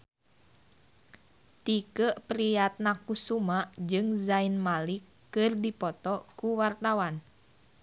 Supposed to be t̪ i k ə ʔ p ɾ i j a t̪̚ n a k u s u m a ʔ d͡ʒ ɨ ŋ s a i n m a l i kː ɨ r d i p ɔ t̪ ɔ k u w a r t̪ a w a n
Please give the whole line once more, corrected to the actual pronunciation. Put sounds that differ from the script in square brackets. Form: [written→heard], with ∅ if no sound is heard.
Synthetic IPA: t̪ i k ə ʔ p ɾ i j a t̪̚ n a k u s u m a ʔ d͡ʒ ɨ ŋ [s→z] a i n m a l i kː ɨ r d i p ɔ t̪ ɔ k u w a r t̪ a w a n